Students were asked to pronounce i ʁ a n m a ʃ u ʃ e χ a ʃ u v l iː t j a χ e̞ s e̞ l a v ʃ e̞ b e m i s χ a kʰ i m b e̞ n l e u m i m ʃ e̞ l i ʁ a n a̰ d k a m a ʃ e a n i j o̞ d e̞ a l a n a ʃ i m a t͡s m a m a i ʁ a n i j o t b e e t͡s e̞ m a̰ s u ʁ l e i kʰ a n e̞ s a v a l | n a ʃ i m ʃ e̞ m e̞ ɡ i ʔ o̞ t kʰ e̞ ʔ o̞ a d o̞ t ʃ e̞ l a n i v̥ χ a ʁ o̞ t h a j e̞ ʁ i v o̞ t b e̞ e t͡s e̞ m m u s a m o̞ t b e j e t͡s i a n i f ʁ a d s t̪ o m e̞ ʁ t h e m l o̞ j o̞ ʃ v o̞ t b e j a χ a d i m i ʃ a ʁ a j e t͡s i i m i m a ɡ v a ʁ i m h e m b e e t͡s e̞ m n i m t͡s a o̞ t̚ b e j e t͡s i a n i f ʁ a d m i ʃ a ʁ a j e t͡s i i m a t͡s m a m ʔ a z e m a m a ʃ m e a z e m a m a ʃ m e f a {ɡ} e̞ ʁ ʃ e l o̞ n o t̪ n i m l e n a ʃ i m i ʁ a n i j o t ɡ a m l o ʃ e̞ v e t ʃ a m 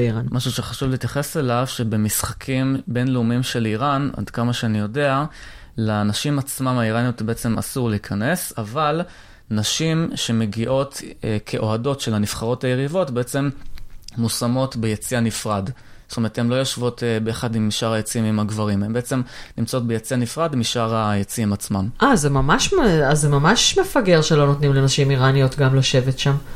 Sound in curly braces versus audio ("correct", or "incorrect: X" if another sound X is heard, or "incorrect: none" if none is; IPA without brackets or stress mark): correct